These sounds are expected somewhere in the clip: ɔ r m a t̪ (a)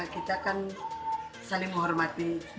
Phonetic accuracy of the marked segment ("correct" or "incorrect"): incorrect